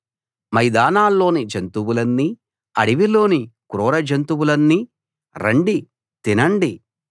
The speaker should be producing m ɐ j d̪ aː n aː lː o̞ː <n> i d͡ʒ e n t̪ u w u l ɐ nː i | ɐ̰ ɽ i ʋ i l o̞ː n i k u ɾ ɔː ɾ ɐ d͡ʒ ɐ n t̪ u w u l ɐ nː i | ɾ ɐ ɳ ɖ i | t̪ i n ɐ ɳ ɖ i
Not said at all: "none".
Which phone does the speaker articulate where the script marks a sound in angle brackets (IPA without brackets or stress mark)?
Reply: n